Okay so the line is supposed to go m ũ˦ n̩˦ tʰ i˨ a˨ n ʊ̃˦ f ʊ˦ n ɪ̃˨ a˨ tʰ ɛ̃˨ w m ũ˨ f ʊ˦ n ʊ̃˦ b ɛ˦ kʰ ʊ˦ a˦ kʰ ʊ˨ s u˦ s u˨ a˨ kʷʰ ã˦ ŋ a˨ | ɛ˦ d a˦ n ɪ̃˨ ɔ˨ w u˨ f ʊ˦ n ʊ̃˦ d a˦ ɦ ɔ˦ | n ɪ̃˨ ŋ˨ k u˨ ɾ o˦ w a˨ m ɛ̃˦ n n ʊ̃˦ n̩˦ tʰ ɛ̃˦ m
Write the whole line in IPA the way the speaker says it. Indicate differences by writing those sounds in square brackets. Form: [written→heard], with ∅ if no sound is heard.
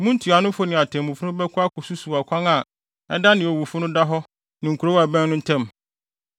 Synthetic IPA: m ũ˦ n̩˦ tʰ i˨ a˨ n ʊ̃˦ f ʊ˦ n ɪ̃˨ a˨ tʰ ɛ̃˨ [w→∅] m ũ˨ f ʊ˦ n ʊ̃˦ b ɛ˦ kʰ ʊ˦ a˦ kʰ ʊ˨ s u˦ s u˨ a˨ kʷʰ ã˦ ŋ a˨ | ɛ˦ d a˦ n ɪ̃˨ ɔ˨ w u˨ f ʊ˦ n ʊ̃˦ d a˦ ɦ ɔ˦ | n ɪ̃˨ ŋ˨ k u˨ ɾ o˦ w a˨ [m→b] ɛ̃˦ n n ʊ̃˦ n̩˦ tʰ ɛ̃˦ m

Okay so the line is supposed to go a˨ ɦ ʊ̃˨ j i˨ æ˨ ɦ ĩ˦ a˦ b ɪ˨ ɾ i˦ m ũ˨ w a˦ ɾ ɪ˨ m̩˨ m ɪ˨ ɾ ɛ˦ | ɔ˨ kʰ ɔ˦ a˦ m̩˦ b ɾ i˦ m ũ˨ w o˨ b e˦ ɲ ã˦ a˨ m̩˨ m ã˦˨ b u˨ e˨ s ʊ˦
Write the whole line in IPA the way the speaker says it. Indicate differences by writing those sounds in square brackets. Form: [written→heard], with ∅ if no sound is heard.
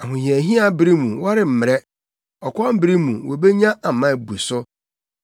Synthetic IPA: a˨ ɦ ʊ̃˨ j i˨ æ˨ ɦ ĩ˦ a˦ b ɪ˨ ɾ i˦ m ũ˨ w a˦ ɾ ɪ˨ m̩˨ m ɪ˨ ɾ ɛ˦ | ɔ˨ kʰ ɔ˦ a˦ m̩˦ b ɾ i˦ m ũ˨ w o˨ b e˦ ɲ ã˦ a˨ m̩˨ m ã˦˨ b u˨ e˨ s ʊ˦

